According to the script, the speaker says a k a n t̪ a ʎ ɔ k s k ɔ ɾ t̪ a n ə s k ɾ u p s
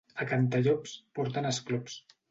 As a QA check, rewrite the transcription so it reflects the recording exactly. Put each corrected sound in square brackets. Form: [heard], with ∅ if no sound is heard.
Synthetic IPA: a k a n t̪ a ʎ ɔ [p] s [p] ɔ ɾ t̪ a n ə s k [l] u p s